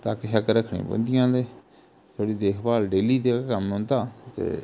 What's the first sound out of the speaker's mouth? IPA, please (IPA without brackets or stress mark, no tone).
t̪